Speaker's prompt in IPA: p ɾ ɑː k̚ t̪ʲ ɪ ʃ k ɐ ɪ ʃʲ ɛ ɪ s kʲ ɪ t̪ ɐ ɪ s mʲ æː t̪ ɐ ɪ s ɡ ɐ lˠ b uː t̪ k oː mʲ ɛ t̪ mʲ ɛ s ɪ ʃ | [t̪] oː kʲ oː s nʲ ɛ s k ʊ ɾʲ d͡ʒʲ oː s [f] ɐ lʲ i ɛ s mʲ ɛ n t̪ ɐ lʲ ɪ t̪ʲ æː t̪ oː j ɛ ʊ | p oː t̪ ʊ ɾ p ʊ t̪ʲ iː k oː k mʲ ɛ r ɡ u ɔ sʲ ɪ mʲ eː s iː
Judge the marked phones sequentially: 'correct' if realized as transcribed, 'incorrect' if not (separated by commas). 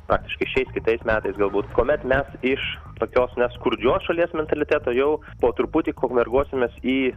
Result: correct, incorrect